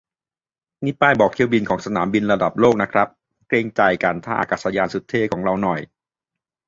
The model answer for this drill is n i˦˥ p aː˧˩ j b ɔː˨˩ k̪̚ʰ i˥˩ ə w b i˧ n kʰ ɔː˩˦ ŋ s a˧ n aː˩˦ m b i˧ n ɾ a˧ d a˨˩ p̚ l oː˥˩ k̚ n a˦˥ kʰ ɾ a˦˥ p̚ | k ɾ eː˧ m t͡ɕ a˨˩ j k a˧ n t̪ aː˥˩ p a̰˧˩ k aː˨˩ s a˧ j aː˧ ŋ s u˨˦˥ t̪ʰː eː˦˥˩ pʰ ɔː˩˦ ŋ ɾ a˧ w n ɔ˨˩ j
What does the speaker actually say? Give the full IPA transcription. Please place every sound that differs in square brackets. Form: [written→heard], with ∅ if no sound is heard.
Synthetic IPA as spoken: n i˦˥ p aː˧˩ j b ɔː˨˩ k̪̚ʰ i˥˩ ə w b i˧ n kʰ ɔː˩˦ ŋ s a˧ n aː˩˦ m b i˧ n ɾ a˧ d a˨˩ p̚ l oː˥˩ k̚ n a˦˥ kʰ ɾ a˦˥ p̚ | k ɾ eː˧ [m→ŋ] t͡ɕ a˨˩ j k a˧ n [t̪→t̪ʰ] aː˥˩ [p→ʔ] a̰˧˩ k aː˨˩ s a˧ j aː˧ [ŋ→n] s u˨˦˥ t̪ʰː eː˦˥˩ [pʰ→kʰ] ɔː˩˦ ŋ ɾ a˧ w n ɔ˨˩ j